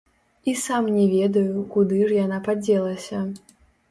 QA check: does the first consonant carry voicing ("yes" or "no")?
no